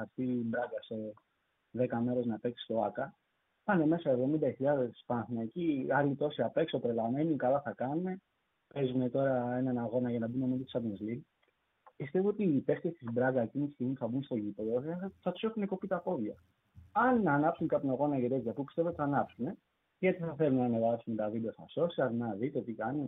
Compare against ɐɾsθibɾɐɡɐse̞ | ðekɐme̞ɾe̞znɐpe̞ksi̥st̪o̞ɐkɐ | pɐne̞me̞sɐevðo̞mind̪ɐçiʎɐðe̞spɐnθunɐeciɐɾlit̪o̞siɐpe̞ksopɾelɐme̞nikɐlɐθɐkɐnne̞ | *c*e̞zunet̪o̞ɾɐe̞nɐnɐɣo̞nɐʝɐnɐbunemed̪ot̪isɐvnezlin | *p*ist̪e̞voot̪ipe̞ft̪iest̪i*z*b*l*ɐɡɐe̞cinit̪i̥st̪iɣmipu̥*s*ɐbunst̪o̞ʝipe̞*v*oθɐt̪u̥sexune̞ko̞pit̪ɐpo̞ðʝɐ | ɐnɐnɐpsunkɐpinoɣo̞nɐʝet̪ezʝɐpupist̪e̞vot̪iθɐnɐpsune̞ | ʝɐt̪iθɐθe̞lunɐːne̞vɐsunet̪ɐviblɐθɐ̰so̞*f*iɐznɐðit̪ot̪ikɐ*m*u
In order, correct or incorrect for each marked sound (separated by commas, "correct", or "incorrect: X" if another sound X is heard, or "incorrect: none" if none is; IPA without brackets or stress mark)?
incorrect: p, correct, correct, incorrect: ɾ, incorrect: θ, incorrect: ð, incorrect: s, incorrect: n